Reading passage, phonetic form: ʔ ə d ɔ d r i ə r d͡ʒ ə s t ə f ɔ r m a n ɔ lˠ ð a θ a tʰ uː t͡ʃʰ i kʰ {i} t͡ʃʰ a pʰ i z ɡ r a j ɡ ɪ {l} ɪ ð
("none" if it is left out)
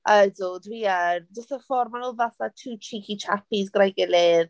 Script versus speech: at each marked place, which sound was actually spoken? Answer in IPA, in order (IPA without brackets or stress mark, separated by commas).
i, l